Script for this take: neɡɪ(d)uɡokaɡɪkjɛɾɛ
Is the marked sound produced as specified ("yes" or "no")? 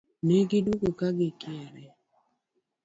yes